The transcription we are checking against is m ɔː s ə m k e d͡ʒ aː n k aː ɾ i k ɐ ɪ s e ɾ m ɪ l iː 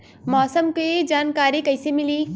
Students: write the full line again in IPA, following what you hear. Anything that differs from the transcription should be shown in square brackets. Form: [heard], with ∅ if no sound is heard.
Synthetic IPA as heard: m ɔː s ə m k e d͡ʒ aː n k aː ɾ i k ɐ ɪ s e [∅] m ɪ l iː